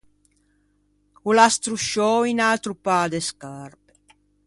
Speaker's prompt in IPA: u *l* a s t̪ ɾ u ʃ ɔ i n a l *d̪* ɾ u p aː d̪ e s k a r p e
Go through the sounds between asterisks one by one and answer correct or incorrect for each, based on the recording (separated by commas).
correct, incorrect